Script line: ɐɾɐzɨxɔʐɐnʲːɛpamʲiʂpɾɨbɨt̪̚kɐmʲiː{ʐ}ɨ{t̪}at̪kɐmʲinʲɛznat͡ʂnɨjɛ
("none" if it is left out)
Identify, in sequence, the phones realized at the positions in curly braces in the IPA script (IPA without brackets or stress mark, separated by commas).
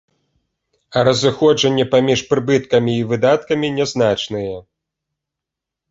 v, d̪